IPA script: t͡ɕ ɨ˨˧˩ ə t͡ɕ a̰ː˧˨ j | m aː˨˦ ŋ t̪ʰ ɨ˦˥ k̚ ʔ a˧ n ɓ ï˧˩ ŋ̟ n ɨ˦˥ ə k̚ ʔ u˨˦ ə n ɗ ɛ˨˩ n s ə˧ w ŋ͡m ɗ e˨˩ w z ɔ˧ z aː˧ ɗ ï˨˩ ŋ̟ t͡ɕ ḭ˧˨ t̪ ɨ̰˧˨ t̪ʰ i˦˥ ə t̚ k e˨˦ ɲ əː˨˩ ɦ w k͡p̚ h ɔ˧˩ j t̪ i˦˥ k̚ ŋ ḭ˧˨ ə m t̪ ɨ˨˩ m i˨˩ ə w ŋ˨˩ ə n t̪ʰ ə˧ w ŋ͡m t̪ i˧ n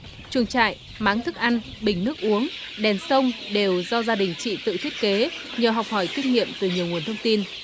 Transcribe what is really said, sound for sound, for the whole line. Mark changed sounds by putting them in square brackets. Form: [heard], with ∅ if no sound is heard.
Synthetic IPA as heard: t͡ɕ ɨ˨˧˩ ə t͡ɕ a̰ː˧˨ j | m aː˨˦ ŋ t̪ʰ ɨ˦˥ k̚ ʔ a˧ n ɓ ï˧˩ ŋ̟ n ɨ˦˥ ə k̚ ʔ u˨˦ ə [ŋ] ɗ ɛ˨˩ n s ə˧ w ŋ͡m ɗ e˨˩ w z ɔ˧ z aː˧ ɗ ï˨˩ ŋ̟ t͡ɕ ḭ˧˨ t̪ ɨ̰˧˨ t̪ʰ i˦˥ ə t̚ k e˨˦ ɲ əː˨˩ ɦ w k͡p̚ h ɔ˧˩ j t̪ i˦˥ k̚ ŋ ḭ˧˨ ə m t̪ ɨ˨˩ [ɲ] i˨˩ ə w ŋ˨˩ ə n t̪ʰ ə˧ w ŋ͡m t̪ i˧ n